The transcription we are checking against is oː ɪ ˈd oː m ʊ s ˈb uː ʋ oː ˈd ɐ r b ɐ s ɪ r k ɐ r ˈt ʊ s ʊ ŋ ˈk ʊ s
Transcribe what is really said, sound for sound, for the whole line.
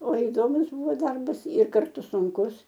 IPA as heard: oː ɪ ˈd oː m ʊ s ˈb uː ʋ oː ˈd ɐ r b ɐ s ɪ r k ɐ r ˈt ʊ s ʊ ŋ ˈk ʊ s